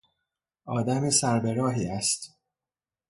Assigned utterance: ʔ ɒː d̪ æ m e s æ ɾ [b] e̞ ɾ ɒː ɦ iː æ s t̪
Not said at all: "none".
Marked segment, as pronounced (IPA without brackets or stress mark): b